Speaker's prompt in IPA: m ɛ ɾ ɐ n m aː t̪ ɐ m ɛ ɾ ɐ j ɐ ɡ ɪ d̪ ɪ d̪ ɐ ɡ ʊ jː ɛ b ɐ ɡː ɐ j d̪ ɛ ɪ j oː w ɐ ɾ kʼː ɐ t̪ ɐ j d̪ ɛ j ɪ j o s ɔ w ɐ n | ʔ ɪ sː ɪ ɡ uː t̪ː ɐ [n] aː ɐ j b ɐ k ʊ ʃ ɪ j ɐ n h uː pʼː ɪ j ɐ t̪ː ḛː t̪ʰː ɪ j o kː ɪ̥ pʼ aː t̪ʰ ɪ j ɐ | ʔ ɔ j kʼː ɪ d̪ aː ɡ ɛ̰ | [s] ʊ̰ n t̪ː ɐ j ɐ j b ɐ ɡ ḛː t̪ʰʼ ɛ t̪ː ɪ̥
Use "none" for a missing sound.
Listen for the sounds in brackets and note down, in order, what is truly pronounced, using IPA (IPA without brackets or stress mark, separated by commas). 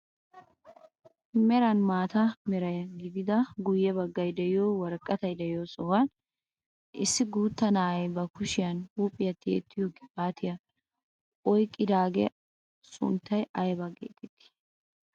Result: n, s